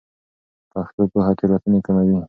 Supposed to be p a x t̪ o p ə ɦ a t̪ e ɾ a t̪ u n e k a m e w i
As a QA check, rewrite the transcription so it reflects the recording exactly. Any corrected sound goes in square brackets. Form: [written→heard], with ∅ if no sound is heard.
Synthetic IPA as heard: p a x t̪ o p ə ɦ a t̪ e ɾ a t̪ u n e k a m [e→a] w i